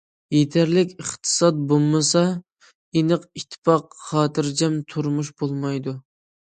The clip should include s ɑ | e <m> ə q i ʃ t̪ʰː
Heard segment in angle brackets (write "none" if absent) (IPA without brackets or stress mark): n